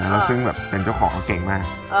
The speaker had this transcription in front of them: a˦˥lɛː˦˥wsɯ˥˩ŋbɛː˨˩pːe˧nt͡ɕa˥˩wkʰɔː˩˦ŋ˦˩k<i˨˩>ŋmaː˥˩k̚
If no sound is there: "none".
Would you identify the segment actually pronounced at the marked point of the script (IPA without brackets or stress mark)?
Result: e˨˩